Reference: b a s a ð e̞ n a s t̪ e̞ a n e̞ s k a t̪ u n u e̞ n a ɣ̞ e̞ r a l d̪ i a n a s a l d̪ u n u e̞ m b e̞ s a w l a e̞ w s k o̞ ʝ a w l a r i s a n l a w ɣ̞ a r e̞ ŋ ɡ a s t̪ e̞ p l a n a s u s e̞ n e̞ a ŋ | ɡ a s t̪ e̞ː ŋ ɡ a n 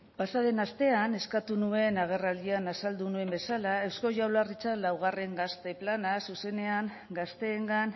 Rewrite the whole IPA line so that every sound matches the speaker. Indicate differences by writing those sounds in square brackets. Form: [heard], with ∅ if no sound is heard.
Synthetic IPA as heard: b a s a ð e̞ n a s t̪ e̞ a n e̞ s k a t̪ u n u e̞ n a ɣ̞ e̞ r a l d̪ i a n a s a l d̪ u n u e̞ m b e̞ s a [∅] l a e̞ w s k o̞ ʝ a w l a r i [t͡s] a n l a w ɣ̞ a r e̞ ŋ ɡ a s t̪ e̞ p l a n a s u s e̞ n e̞ a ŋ | ɡ a s t̪ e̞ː ŋ ɡ a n